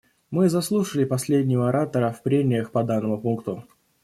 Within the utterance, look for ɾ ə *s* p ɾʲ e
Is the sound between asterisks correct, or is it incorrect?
incorrect